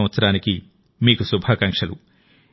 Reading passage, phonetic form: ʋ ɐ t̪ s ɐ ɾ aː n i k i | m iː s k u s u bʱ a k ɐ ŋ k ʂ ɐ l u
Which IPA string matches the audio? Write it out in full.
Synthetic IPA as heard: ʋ ɐ t̪ s ɐ ɾ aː n i k i | m iː k u s u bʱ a k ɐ ŋ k ʂ ɐ l u